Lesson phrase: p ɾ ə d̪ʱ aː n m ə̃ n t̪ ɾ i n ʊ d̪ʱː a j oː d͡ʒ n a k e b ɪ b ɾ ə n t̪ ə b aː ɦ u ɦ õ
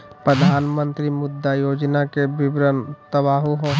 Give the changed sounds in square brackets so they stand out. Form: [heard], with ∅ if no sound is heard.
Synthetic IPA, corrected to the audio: p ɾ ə d̪ʱ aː n m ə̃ n t̪ ɾ i [m] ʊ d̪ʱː a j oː d͡ʒ n a k e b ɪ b ɾ ə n t̪ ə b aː ɦ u ɦ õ